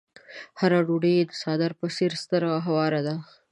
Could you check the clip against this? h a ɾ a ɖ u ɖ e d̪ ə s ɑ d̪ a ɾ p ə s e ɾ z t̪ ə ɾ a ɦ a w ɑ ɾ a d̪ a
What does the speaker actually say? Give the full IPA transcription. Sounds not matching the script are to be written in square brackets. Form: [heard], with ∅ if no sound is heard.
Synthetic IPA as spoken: h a ɾ a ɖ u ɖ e d̪ ə s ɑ d̪ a ɾ p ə s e ɾ [s] t̪ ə ɾ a ɦ a w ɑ ɾ a d̪ a